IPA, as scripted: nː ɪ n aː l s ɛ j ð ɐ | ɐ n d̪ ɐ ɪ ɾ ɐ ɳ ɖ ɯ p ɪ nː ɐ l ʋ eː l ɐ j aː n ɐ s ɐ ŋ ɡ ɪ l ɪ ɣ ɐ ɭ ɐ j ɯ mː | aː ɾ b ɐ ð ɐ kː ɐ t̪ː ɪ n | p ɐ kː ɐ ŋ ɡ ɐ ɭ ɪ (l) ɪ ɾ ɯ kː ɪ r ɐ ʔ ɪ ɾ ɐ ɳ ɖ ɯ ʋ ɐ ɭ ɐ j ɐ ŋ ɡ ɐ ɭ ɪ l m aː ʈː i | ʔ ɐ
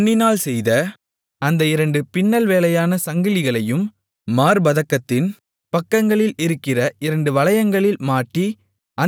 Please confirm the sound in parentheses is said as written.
yes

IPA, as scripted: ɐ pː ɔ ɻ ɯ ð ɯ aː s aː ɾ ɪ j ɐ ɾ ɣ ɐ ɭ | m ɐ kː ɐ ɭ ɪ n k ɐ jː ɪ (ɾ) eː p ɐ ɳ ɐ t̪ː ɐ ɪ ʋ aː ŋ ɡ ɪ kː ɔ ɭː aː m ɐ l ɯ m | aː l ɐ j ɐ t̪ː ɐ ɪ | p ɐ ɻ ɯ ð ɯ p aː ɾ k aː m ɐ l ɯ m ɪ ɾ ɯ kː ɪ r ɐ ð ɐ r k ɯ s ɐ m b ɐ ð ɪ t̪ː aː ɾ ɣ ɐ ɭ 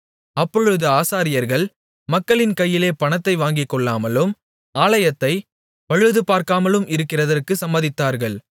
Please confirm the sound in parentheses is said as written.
no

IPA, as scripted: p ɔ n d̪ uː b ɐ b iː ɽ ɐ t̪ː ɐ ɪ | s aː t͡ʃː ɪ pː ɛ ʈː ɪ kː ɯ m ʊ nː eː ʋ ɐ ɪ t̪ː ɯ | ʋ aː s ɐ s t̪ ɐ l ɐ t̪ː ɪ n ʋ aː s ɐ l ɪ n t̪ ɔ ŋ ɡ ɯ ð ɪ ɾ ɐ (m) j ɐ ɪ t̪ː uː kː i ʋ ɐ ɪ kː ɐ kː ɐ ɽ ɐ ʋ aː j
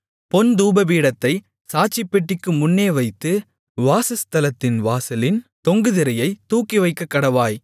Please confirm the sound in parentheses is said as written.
no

